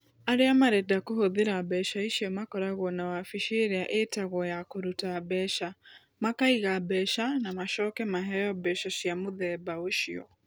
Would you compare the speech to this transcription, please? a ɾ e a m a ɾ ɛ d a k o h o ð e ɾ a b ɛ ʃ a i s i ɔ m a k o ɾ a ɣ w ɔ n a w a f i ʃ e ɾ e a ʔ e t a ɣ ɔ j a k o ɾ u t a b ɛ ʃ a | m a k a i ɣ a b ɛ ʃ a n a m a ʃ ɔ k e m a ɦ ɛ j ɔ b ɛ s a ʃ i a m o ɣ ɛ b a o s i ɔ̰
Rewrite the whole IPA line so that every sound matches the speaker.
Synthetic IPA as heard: a ɾ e a m a ɾ ɛ d a k o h o ð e ɾ a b ɛ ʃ a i ʃ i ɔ m a k ɔ ɾ a ɣ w ɔ n a w a f i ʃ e ɾ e a ʔ e t a ɣ ɔ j a k o ɾ u t a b ɛ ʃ a | m a k a i ɣ a b ɛ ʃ a n a m a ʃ ɔ k ɛ m a ɦ ɛ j ɔ b ɛ ʃ a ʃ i a m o ð ɛ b a o ʃ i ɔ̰